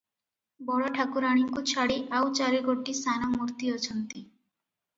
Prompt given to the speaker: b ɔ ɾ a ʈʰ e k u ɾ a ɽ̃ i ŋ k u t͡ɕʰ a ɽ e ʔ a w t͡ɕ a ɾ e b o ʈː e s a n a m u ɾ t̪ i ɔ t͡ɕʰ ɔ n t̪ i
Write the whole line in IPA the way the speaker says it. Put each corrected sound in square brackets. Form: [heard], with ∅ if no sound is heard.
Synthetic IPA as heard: b ɔ [ɽ] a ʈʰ [a] k u ɾ a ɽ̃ i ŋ k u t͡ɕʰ a ɽ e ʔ a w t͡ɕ a ɾ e [ɡ] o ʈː [i] s a n a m u ɾ t̪ i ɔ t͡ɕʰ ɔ n t̪ i

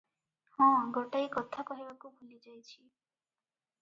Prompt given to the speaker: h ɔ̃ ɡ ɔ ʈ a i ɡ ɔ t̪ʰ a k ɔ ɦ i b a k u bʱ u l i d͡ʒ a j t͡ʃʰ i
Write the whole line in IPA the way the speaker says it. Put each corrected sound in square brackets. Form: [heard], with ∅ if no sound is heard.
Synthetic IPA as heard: h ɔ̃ ɡ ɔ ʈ a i [k] ɔ t̪ʰ a k ɔ ɦ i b a k u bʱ u l i d͡ʒ a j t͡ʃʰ i

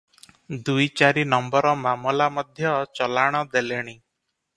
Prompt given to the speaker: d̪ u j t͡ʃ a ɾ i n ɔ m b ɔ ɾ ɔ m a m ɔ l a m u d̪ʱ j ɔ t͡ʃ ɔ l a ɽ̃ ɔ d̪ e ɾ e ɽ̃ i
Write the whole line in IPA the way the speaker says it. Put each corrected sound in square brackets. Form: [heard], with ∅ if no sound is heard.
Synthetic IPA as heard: d̪ u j t͡ʃ a ɾ i n ɔ m b ɔ ɾ ɔ m a m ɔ l a m [ɔ] d̪ʱ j ɔ t͡ʃ ɔ l a ɽ̃ ɔ d̪ e [l] e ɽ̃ i

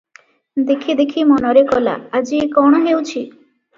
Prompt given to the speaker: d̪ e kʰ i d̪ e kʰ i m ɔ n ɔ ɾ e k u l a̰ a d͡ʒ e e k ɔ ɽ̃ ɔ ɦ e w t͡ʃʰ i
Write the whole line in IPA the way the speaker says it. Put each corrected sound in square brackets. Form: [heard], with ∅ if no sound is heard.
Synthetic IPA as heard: d̪ e kʰ i d̪ e kʰ i m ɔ n ɔ ɾ e k [ɔ] l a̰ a d͡ʒ [i] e k ɔ ɽ̃ ɔ ɦ e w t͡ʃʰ i

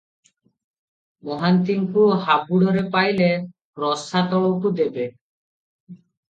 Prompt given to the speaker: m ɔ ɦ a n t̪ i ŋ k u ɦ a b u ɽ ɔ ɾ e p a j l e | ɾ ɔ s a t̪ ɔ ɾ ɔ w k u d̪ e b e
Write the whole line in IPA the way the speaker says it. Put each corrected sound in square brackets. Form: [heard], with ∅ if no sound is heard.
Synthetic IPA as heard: m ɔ ɦ a n t̪ i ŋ k u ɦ a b u ɽ ɔ ɾ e p a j l e | ɾ ɔ s a t̪ ɔ [ɭ] ɔ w k u d̪ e b e

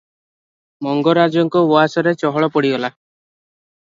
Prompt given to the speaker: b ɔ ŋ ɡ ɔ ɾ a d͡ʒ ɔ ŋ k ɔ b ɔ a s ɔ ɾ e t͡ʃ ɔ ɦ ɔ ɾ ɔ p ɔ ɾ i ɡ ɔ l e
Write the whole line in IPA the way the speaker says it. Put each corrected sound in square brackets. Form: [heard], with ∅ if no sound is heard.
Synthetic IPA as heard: [m] ɔ ŋ ɡ ɔ ɾ a d͡ʒ ɔ ŋ k ɔ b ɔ a s ɔ ɾ e t͡ʃ ɔ ɦ ɔ [ɭ] ɔ p ɔ [ɽ] i ɡ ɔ l [a]

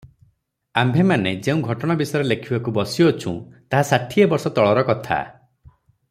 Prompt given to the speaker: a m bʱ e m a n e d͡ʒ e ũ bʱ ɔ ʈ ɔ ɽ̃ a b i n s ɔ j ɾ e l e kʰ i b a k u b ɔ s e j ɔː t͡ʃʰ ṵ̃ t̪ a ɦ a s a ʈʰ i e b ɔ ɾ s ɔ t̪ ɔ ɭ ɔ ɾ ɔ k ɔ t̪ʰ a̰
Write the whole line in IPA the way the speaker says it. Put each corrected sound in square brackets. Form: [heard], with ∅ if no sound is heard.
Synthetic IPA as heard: a m bʱ e m a n e d͡ʒ e ũ [ɡʱ] ɔ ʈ ɔ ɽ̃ a b i [∅] s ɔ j ɾ e l e kʰ i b a k u b ɔ s [i] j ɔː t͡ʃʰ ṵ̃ t̪ a ɦ a s a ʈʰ i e b ɔ ɾ s ɔ t̪ ɔ ɭ ɔ ɾ ɔ k ɔ t̪ʰ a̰

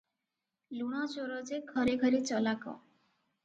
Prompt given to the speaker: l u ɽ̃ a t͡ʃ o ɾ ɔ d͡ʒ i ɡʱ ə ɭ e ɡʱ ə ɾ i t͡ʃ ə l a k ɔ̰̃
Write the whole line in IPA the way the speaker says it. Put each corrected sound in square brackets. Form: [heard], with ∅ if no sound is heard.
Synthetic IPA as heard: l u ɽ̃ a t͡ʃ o ɾ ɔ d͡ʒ [e] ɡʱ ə [ɾ] e ɡʱ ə ɾ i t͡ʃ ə l a k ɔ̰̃

